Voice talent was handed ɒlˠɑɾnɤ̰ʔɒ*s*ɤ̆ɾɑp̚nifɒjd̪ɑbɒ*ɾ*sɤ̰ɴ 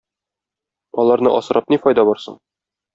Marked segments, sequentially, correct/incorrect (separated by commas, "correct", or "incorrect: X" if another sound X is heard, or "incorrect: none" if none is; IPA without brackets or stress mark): correct, correct